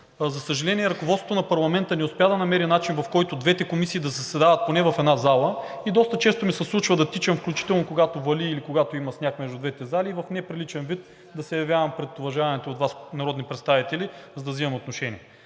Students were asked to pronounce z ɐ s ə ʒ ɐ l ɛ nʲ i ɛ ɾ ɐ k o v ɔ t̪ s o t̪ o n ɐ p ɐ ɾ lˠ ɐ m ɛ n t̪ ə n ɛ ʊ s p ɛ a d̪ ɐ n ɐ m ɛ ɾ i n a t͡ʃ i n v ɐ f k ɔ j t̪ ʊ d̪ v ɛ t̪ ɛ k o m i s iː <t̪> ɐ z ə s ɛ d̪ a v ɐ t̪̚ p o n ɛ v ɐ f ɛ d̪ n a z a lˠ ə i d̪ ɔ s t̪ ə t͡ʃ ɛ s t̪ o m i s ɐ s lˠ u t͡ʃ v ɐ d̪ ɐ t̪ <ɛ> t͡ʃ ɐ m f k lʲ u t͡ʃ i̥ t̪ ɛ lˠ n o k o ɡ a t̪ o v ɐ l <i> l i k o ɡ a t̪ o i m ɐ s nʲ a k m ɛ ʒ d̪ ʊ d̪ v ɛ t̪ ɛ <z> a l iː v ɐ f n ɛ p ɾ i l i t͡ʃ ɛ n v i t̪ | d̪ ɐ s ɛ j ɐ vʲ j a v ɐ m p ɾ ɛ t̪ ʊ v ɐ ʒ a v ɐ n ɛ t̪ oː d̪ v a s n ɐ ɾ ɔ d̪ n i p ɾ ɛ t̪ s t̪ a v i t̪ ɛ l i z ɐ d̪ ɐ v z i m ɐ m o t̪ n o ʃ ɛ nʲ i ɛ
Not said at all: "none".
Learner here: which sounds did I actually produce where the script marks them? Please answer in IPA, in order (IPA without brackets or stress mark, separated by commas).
d̪, i, iː, z